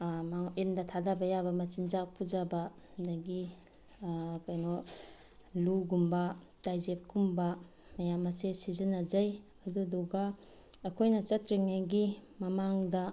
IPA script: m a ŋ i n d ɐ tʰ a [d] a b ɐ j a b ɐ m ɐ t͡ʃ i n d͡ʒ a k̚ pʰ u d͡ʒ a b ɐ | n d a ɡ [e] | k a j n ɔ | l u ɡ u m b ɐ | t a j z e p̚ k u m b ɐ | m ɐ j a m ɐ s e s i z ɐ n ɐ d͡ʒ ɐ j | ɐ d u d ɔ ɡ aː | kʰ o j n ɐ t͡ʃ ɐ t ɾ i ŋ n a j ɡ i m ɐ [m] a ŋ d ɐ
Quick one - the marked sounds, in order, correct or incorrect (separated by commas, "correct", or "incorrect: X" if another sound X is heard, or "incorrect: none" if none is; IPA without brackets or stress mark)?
correct, incorrect: i, correct